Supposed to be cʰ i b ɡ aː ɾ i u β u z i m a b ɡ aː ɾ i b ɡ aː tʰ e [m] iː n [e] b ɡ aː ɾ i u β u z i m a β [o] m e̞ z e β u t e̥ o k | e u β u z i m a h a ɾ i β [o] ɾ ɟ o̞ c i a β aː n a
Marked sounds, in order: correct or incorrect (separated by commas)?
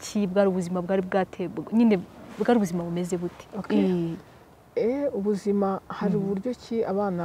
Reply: incorrect, correct, incorrect, incorrect